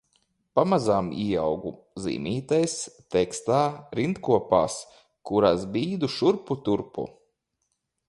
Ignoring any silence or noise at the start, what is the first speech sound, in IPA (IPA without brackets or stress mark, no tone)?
p